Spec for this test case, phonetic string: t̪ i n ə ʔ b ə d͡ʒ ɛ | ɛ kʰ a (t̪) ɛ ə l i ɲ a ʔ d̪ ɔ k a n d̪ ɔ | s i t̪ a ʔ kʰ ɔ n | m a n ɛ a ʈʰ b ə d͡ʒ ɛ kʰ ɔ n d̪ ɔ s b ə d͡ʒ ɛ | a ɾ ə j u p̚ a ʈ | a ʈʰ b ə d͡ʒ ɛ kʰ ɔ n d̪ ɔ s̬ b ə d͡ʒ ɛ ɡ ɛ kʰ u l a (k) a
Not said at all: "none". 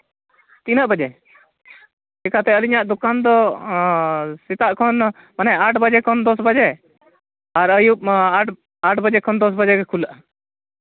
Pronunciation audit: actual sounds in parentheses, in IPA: t̪, ʔ

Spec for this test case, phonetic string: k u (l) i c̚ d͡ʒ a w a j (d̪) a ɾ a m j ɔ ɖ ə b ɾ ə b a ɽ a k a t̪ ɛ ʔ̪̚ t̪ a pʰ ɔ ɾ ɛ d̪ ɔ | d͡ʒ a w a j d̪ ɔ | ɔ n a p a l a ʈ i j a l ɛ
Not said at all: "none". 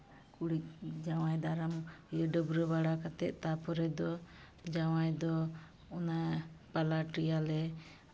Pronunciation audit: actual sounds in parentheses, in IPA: ɽ, d̪

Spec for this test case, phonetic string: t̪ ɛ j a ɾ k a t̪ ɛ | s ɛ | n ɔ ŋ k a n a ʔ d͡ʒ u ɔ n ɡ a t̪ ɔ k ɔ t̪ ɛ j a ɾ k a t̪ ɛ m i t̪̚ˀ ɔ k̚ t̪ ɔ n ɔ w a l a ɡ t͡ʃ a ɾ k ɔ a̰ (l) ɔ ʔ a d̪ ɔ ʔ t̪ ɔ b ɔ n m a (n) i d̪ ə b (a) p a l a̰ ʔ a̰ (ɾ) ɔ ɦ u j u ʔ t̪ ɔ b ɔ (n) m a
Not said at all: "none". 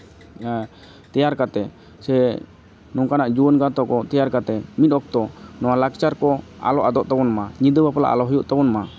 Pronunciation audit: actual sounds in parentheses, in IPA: l, ɲ, a, l, n

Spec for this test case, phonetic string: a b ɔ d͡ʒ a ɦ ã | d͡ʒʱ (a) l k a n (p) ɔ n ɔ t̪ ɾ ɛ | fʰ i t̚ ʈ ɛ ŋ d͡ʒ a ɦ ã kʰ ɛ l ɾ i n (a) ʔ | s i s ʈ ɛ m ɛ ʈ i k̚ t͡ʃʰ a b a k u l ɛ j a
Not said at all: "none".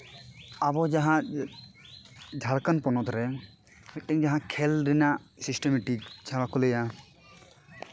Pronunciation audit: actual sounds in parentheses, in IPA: a, p, a

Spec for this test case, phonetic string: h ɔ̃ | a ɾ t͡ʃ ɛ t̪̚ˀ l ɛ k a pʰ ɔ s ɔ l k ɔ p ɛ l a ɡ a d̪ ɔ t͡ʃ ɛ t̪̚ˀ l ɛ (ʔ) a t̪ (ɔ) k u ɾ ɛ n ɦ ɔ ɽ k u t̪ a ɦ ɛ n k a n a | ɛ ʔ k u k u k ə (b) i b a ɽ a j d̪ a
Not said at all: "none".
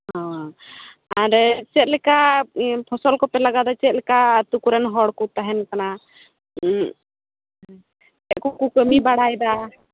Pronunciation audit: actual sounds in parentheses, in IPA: k, u, m

